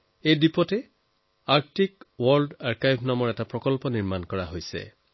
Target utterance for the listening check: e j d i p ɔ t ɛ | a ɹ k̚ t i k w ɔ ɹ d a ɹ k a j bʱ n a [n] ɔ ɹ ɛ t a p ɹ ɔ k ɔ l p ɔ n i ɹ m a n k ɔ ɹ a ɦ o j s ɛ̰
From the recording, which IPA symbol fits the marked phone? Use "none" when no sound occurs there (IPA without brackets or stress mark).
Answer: m